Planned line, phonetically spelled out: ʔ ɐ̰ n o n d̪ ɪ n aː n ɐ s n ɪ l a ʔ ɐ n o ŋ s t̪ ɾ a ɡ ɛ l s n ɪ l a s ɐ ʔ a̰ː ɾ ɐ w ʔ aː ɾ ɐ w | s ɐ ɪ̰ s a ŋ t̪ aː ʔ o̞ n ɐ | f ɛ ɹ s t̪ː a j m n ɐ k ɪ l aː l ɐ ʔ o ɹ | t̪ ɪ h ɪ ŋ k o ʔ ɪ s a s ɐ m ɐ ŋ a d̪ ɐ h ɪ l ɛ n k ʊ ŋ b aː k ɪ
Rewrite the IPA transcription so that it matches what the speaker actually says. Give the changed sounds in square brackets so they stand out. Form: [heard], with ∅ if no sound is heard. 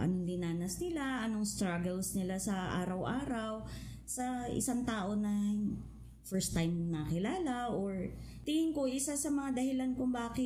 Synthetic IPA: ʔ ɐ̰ n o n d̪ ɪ n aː n ɐ s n ɪ l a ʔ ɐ n o ŋ s t̪ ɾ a ɡ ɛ l s n ɪ l a s ɐ ʔ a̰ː ɾ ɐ w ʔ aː ɾ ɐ w | s ɐ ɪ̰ s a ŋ t̪ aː ʔ o̞ n ɐ | f ɛ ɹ s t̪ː a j m n ɐ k ɪ l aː l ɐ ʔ o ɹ | t̪ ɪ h ɪ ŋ k o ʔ ɪ s a s ɐ m ɐ ŋ a d̪ ɐ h ɪ l [a] n k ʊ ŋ b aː k ɪ